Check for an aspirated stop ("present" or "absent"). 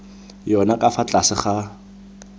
absent